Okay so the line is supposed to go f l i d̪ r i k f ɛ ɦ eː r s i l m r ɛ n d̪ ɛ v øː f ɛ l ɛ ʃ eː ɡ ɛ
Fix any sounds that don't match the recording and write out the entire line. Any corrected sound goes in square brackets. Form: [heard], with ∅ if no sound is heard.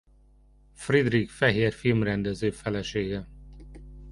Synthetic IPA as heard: f [r] i d̪ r i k f ɛ ɦ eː r [f] i l m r ɛ n d̪ ɛ [z] øː f ɛ l ɛ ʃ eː ɡ ɛ